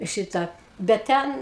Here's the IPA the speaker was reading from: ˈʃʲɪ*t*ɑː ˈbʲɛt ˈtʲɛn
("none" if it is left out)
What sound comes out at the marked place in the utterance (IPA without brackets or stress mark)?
t